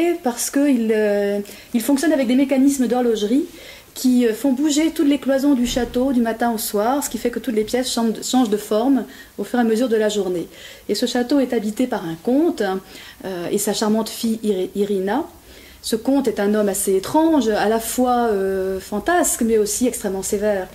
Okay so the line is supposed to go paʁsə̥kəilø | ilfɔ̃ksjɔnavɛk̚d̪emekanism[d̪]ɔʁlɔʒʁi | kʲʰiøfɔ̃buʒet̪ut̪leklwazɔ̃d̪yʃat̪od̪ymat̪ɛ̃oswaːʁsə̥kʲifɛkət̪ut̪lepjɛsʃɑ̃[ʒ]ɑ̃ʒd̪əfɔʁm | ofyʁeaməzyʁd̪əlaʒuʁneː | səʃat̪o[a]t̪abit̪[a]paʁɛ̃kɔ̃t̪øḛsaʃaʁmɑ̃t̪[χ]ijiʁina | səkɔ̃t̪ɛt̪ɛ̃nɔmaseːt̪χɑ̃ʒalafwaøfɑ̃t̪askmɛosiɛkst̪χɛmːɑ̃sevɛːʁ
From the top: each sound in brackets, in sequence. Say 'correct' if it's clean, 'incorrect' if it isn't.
correct, incorrect: ʃ, incorrect: ɛ, incorrect: e, incorrect: f

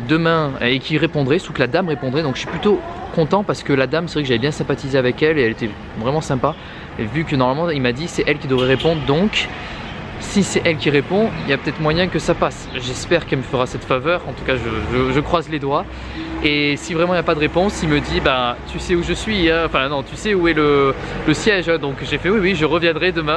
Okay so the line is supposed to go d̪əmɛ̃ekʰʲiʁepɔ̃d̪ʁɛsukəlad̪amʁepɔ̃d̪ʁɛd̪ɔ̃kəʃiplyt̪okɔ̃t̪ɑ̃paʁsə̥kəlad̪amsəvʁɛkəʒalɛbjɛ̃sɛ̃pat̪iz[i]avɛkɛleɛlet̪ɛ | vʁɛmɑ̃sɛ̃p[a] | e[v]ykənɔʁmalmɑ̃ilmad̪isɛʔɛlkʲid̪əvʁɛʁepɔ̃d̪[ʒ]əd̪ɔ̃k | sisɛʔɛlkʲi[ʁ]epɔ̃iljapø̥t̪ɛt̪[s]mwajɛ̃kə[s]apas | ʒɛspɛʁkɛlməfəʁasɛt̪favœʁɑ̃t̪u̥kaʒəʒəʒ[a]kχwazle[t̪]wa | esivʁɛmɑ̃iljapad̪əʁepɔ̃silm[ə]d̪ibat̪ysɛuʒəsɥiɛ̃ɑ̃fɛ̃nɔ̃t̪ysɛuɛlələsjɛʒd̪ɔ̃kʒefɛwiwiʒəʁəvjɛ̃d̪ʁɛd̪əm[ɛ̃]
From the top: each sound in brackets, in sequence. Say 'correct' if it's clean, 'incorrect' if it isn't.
incorrect: e, correct, correct, incorrect: ʁ, correct, incorrect: χ, correct, incorrect: ə, incorrect: d̪, correct, correct

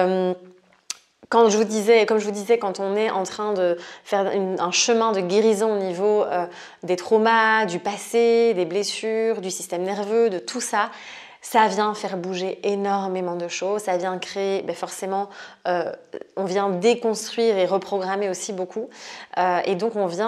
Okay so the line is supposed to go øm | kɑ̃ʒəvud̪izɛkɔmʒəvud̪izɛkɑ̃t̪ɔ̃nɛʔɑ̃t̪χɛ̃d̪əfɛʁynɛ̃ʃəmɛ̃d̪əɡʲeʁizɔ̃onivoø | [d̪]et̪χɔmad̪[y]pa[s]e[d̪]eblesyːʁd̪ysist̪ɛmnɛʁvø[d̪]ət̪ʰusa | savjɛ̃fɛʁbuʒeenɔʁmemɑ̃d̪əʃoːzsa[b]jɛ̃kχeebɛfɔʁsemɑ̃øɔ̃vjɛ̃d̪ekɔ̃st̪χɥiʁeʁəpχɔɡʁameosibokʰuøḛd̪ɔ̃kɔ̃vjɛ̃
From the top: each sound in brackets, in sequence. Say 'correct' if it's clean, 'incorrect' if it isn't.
correct, correct, correct, correct, correct, incorrect: v

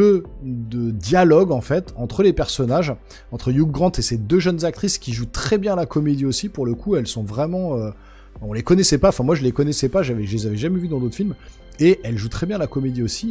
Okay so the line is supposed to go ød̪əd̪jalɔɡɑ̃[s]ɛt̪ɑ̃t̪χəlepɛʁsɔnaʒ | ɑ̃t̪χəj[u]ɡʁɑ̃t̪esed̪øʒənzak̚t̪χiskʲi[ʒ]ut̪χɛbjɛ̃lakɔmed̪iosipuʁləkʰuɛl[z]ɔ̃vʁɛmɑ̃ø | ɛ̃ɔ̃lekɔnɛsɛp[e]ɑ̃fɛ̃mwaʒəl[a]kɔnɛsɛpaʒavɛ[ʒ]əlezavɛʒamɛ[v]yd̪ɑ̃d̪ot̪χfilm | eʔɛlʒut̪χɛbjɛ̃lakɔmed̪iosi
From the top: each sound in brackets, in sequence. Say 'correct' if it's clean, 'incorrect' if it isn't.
incorrect: f, correct, correct, incorrect: s, incorrect: a, incorrect: e, correct, correct

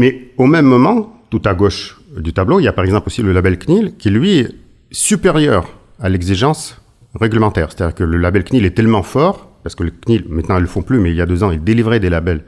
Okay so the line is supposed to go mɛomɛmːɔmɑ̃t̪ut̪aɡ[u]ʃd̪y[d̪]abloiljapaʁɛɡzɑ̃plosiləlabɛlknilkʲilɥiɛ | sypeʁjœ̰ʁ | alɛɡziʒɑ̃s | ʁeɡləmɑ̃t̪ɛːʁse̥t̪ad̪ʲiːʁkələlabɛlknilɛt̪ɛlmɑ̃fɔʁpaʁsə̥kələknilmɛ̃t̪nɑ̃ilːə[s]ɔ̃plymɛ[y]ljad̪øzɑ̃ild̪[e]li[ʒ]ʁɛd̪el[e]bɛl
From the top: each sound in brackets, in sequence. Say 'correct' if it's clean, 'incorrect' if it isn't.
incorrect: o, incorrect: t̪, incorrect: f, incorrect: i, correct, incorrect: v, incorrect: a

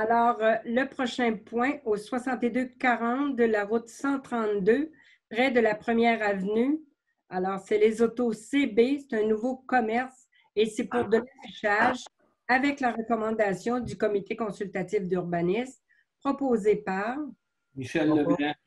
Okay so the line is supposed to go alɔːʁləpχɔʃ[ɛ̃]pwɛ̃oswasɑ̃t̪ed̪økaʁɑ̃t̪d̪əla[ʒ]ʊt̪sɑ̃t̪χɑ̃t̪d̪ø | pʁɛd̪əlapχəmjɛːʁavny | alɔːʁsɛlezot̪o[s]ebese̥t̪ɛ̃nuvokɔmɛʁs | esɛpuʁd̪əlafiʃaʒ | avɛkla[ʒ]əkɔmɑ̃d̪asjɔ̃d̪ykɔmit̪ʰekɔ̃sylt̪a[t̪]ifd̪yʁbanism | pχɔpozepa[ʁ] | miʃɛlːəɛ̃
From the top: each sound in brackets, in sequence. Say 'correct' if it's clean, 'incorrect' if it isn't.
correct, incorrect: ʁ, correct, incorrect: ʁ, correct, correct

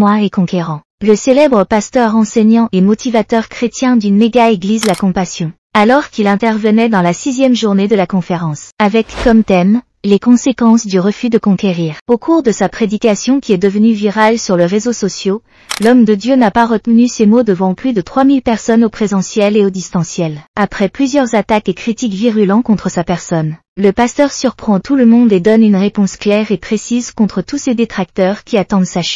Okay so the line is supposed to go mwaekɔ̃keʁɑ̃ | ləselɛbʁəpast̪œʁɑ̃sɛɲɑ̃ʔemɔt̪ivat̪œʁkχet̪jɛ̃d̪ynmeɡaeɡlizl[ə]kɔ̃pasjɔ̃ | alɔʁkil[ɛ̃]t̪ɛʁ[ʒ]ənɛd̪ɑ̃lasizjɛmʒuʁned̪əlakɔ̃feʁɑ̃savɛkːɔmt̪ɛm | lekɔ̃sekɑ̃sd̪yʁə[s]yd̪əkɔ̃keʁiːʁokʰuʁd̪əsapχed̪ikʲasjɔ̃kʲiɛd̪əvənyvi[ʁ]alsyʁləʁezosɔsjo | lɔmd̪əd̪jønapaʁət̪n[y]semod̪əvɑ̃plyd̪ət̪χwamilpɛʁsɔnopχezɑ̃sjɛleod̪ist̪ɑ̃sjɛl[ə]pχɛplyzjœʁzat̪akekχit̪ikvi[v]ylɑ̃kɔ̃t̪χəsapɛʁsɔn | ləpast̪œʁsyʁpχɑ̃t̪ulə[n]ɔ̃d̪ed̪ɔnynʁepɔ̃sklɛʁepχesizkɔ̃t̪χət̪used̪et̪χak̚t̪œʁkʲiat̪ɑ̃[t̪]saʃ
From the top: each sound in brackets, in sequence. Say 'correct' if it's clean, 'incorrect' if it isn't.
incorrect: a, correct, incorrect: v, incorrect: f, correct, correct, incorrect: a, incorrect: ʁ, incorrect: m, incorrect: d̪

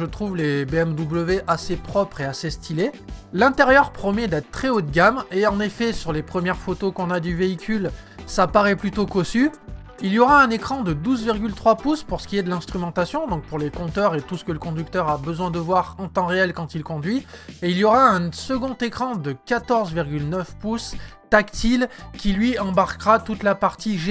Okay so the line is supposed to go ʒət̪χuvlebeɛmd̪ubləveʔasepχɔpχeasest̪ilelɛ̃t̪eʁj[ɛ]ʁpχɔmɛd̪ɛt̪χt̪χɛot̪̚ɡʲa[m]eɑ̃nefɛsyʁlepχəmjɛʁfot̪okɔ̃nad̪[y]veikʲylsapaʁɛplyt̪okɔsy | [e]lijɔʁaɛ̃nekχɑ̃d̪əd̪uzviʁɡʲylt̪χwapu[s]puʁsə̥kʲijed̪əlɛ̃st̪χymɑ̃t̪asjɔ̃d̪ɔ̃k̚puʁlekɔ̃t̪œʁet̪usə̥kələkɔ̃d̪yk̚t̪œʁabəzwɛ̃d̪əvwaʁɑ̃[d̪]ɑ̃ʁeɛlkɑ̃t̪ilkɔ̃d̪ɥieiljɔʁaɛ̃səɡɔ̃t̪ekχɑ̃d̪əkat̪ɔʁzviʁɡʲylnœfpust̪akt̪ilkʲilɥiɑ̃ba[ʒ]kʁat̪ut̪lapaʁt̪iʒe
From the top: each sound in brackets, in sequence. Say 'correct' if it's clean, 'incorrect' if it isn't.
incorrect: œ, correct, correct, incorrect: i, correct, incorrect: t̪, incorrect: ʁ

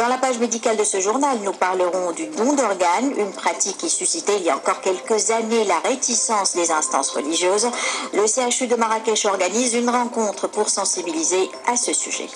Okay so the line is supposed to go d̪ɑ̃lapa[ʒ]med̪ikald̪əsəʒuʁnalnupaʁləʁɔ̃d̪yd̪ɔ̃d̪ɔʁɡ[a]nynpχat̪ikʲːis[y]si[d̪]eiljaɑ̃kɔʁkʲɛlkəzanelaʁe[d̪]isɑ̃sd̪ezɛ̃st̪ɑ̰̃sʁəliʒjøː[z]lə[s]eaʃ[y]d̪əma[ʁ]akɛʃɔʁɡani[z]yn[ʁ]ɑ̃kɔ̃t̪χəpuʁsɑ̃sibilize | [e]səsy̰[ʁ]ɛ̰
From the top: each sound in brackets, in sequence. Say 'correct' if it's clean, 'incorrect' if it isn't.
correct, correct, correct, incorrect: t̪, incorrect: t̪, correct, correct, correct, correct, correct, correct, incorrect: a, incorrect: ʒ

